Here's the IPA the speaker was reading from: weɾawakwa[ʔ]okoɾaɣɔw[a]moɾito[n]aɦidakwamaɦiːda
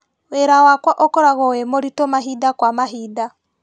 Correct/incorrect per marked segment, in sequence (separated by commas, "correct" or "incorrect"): correct, incorrect, incorrect